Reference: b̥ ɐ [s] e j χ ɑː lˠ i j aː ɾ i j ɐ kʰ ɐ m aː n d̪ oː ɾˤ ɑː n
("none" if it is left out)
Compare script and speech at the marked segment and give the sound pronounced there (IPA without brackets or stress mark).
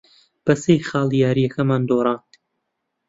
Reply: s